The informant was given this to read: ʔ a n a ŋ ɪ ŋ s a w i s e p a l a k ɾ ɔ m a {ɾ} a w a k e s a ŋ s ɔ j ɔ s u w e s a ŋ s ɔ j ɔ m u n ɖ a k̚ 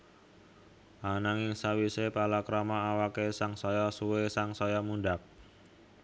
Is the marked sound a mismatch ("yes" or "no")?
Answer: yes